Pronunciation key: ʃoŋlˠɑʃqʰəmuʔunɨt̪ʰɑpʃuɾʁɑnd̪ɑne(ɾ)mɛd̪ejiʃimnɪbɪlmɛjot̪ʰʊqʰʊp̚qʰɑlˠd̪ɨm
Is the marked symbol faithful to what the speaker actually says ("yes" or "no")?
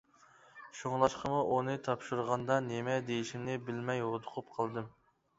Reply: no